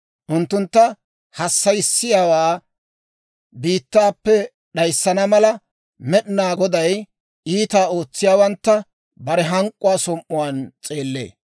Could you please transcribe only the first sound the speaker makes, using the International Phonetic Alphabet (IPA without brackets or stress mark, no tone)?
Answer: ʔ